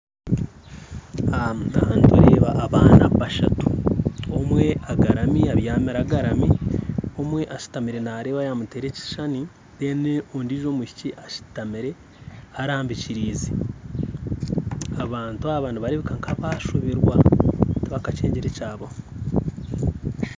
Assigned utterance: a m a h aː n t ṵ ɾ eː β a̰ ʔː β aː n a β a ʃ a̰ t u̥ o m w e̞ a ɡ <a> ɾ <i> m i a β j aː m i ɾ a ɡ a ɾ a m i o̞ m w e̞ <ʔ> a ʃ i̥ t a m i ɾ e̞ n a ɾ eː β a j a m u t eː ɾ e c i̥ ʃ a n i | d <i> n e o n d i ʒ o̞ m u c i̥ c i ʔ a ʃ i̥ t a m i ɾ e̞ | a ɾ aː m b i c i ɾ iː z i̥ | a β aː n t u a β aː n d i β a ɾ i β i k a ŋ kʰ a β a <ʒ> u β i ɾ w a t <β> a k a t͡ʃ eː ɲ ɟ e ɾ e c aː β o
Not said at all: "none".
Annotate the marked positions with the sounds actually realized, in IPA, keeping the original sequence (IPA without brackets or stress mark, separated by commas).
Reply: a, a, ʔ, e, ʃ, β